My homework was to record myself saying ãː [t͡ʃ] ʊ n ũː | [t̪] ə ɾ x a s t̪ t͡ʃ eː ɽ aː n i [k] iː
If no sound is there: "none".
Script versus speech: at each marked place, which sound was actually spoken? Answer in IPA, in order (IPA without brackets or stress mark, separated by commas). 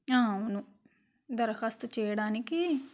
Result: none, d̪, k